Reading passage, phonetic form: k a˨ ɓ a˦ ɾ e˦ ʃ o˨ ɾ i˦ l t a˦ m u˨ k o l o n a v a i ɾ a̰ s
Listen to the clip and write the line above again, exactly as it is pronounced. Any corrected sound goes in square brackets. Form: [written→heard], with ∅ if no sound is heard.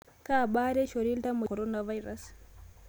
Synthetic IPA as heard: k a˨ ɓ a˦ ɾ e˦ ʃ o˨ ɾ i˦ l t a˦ m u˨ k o [l→ɾ] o n a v a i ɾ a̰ s